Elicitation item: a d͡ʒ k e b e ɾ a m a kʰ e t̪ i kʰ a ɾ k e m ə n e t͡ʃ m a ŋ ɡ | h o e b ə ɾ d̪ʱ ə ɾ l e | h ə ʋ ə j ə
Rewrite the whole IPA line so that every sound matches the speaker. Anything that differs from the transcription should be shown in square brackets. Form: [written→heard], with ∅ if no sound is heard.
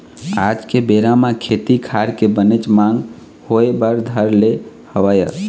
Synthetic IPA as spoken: a d͡ʒ k e b e ɾ a m a kʰ e t̪ i kʰ a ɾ k e [m→b] ə n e t͡ʃ m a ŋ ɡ | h o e b ə ɾ d̪ʱ ə ɾ l e | h ə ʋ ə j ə